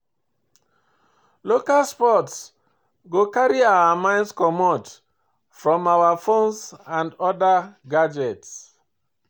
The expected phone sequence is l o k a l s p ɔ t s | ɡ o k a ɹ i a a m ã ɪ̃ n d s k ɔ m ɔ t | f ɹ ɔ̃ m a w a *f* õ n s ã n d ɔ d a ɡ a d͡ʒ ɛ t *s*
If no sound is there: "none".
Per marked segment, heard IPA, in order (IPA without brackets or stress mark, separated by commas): f, s